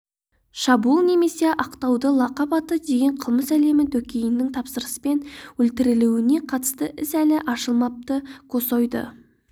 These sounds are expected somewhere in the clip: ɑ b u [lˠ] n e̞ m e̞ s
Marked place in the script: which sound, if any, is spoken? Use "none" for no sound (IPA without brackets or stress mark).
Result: lˠ